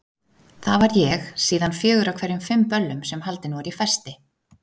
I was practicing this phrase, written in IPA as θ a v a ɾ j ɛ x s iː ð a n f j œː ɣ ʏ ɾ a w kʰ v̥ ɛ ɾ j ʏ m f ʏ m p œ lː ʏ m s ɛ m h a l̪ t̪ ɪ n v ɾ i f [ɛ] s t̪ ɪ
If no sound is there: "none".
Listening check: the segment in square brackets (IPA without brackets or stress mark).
ɛ